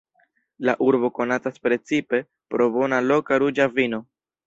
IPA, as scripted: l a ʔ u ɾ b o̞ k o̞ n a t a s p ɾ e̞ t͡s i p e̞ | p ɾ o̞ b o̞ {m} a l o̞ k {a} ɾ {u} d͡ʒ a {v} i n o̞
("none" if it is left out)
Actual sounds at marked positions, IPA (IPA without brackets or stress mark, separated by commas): n, a, u, v